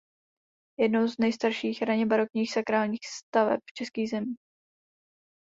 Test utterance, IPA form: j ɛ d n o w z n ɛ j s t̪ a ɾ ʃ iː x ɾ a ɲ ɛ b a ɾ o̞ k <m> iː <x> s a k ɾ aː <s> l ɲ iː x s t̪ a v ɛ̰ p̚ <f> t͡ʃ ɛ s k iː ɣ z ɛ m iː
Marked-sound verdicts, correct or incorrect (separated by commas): incorrect, correct, incorrect, correct